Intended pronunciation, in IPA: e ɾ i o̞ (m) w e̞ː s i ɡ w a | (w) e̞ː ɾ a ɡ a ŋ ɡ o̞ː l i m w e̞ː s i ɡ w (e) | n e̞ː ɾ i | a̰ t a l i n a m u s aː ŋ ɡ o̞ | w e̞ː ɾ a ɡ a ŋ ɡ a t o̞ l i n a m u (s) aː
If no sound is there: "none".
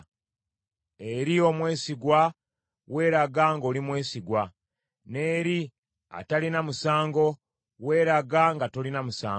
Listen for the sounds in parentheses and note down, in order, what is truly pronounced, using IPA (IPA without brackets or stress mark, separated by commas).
m, w, a, s